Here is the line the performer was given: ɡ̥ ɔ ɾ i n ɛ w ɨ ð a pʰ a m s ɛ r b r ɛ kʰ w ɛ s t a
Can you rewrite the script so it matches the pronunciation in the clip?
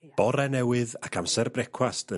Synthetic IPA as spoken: b̥ ɔ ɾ ɛ n ɛ w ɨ ð a kʰ a m s ɛ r b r ɛ kʰ w a s t ə